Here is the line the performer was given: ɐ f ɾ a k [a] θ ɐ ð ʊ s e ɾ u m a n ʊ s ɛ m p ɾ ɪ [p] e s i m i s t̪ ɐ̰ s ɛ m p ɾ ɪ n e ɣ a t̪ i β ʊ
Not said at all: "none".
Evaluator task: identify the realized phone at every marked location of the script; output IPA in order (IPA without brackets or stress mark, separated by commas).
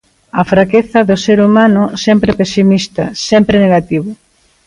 e, p